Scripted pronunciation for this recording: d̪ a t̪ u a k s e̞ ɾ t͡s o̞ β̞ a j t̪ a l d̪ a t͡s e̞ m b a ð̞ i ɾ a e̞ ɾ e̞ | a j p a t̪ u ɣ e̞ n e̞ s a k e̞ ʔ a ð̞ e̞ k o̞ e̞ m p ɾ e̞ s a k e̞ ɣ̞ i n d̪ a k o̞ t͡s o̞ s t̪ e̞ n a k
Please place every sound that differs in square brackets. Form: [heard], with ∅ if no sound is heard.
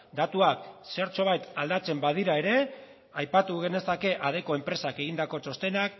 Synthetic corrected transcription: d̪ a t̪ u a k s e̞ ɾ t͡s o̞ β̞ a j t̪ a l d̪ a t͡s e̞ m b a ð̞ i ɾ a e̞ ɾ e̞ | a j p a t̪ u ɣ e̞ n e̞ s a k e̞ ʔ a ð̞ e̞ k o̞ e̞ m p ɾ e̞ s a k e̞ ɣ̞ i n d̪ a k o̞ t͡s o̞ s t̪ e̞ n a k